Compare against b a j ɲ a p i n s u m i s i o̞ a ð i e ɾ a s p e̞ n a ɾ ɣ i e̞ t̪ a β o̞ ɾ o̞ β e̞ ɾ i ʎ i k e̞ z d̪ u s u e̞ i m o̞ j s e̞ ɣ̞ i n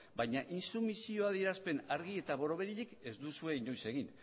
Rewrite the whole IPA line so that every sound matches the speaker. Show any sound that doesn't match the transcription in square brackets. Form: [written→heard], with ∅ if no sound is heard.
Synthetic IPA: b a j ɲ a [p→ʔ] i n s u m i s i o̞ a ð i e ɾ a s p e̞ n a ɾ ɣ i e̞ t̪ a β o̞ ɾ o̞ β e̞ ɾ i ʎ i k e̞ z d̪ u s u e̞ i [m→ɲ] o̞ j s e̞ ɣ̞ i n

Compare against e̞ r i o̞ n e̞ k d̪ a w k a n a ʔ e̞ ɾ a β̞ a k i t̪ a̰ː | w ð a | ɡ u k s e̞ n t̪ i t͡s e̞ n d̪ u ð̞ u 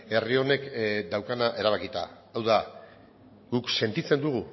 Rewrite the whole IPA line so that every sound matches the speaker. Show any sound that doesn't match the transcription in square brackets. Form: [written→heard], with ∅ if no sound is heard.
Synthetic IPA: e̞ r i o̞ n e̞ k d̪ a w k a n a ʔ e̞ ɾ a β̞ a k i t̪ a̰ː | w ð a | ɡ u k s e̞ n t̪ i t͡s e̞ n d̪ u [ð̞→ɣ̞] u

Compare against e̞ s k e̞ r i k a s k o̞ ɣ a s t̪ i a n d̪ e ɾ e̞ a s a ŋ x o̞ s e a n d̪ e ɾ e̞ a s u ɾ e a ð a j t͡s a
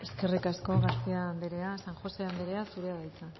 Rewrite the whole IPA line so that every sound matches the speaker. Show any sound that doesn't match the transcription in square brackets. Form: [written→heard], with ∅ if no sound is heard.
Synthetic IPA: e̞ s k e̞ r i k a s k o̞ ɣ a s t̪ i a n d̪ e ɾ e̞ a s a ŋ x o̞ s e a n d̪ e ɾ e̞ a s u ɾ e a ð a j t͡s a

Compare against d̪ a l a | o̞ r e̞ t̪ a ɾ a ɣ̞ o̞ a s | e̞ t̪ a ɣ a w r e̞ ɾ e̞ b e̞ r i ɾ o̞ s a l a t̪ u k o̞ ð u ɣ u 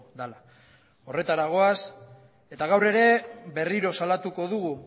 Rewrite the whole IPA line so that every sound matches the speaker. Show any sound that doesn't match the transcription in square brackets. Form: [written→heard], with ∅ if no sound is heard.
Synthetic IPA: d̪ a l a | o̞ r e̞ t̪ a ɾ a ɣ̞ o̞ a s | e̞ t̪ a ɣ a w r e̞ ɾ e̞ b e̞ r i ɾ o̞ s a l a t̪ u k o̞ ð u ɣ u

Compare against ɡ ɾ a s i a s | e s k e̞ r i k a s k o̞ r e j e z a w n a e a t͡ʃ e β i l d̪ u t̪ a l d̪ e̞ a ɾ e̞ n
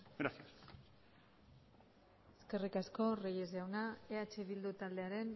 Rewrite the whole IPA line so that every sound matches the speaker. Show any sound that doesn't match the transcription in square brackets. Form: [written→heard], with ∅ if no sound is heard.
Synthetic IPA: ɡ ɾ a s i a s | e s k e̞ r i k a s k o̞ r e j e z a w n a e a t͡ʃ e β i l d̪ u t̪ a l d̪ e̞ a ɾ e̞ n

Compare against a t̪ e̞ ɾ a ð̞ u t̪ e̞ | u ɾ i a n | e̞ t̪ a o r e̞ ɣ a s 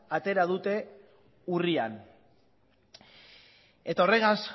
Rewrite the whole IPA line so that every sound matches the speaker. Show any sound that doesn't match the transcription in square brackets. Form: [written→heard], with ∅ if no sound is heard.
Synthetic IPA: a t̪ e̞ ɾ a ð̞ u t̪ e̞ | u [ɾ→r] i a n | e̞ t̪ a o r e̞ ɣ a s

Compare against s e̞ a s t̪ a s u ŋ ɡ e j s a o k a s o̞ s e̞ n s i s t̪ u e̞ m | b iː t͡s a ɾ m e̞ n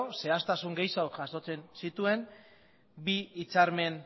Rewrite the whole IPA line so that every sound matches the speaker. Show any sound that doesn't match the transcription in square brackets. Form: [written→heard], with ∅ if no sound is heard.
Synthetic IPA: s e̞ a s t̪ a s u ŋ ɡ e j s a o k a s o̞ [s→t͡s] e̞ n s i [s→∅] t̪ u e̞ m | b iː t͡s a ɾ m e̞ n

